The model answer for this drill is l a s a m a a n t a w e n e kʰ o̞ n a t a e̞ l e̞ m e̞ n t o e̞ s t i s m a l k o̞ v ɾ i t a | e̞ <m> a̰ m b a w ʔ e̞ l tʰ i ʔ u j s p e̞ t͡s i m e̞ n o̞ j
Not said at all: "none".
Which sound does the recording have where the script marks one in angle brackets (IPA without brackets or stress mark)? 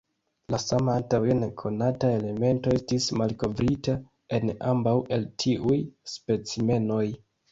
n